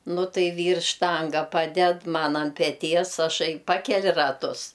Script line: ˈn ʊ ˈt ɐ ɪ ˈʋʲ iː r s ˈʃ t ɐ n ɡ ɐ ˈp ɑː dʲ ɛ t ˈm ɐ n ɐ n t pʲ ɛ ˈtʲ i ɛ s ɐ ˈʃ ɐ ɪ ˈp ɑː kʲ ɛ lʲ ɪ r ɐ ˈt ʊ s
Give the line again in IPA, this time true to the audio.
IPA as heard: ˈn ʊ ˈt ɐ ɪ ˈʋʲ iː r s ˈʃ t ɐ ŋ ɡ ɐ ˈp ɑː dʲ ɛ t ˈm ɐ n ɐ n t pʲ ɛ ˈtʲ i ɛ s ɐ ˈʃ ɐ ɪ ˈp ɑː kʲ ɛ lʲ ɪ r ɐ ˈt ʊ s